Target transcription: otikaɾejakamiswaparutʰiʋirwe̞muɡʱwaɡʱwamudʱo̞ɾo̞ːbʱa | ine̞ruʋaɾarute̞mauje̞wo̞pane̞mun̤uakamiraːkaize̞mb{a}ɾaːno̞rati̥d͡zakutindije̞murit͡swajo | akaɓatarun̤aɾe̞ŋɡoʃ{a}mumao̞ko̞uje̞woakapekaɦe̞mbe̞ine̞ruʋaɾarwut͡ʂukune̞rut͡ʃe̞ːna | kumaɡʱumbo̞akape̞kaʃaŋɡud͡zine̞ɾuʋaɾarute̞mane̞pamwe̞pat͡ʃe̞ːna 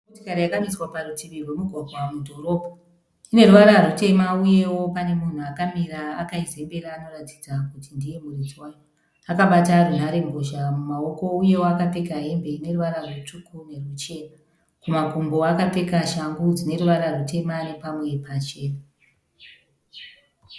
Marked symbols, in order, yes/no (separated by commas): no, yes